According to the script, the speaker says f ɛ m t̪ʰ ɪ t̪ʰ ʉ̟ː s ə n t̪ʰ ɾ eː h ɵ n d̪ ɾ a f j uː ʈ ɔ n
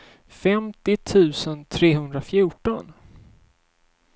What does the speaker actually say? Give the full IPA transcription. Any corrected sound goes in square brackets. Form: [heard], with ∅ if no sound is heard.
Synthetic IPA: f ɛ m [t̪] ɪ t̪ʰ ʉ̟ː s ə n t̪ʰ ɾ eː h ɵ n d̪ ɾ a f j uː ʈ ɔ n